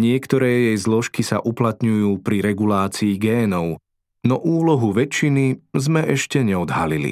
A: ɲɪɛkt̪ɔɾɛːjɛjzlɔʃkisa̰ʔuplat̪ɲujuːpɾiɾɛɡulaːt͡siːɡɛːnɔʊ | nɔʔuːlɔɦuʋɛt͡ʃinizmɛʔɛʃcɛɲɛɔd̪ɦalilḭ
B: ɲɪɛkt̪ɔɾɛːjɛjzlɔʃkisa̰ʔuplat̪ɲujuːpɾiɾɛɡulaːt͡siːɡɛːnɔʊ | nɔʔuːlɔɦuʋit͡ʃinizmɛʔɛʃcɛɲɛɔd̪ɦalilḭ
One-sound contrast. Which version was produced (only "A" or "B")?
A